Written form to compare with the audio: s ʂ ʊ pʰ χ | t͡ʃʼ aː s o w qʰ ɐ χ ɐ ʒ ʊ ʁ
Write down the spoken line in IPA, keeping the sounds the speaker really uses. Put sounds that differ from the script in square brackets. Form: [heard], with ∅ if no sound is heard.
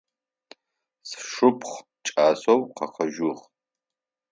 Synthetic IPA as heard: s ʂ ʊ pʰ χ | t͡ʃʼ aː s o w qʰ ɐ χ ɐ ʒ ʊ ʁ